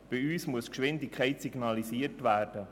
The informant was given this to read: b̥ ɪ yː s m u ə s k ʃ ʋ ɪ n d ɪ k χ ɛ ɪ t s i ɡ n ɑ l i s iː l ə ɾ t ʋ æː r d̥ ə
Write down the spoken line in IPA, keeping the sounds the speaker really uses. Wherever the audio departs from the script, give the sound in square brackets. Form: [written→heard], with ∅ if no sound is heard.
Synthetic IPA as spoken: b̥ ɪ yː s m u ə s k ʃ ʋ ɪ n d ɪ k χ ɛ ɪ t s i ɡ n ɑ l i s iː [l→∅] ə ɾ t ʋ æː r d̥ ə